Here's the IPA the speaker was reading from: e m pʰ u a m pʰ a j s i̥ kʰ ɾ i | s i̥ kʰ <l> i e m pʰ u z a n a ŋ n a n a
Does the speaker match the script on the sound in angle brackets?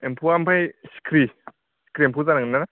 no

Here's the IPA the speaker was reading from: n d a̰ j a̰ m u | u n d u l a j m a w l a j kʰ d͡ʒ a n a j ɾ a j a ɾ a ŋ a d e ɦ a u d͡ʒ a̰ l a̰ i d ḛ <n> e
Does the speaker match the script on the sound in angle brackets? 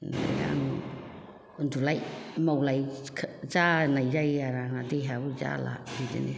yes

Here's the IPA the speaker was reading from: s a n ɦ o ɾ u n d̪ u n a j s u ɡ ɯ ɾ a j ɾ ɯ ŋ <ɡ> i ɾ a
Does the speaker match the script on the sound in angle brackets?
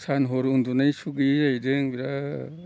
no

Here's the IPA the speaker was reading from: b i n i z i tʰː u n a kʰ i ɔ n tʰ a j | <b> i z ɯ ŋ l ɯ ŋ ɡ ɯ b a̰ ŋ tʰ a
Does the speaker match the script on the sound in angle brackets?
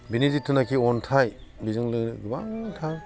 yes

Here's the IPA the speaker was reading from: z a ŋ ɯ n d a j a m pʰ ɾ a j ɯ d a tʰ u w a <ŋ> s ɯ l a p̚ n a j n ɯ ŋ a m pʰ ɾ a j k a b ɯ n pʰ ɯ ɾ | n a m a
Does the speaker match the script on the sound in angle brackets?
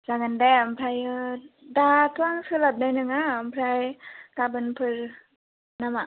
yes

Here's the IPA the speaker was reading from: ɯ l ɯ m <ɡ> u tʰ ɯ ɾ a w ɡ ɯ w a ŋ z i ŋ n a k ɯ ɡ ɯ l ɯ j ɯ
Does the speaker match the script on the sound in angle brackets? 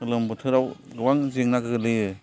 no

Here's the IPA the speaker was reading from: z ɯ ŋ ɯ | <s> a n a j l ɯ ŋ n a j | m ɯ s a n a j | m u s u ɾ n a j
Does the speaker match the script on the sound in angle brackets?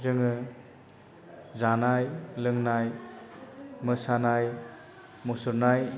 no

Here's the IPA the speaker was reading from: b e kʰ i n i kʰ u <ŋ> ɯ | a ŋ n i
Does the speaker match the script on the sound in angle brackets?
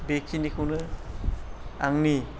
no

